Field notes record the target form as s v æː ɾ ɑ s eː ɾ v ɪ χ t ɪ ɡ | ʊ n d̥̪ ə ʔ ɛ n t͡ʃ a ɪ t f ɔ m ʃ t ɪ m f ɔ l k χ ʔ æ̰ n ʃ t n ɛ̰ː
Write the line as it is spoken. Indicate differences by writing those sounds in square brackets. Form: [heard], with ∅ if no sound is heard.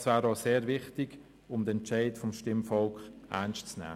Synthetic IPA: s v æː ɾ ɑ s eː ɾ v ɪ χ t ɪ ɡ | ʊ [m] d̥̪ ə [∅] ɛ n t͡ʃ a ɪ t f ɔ m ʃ t ɪ m f ɔ l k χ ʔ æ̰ n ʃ [t͡s] n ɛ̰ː